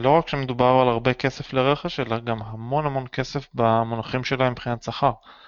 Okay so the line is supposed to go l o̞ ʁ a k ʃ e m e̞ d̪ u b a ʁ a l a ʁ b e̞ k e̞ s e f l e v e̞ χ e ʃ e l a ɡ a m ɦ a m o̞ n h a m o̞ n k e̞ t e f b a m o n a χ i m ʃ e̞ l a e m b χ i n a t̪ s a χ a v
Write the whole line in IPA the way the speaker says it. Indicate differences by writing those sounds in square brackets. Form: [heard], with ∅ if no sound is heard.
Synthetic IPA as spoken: l o̞ ʁ a k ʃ e m e̞ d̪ u b a ʁ a l a ʁ b e̞ k e̞ s e f l e [ʁ] e̞ χ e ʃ e l a ɡ a m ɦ a m o̞ n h a m o̞ n k e̞ [s] e f b a m o n a χ i m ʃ e̞ l a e m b χ i n a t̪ s a χ a [ʁ]